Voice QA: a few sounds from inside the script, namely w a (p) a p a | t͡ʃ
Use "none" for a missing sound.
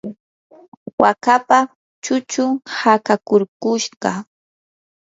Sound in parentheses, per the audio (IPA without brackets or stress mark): k